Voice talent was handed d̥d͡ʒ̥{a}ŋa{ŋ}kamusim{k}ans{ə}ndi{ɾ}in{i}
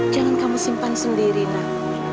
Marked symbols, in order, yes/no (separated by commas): yes, no, no, yes, yes, no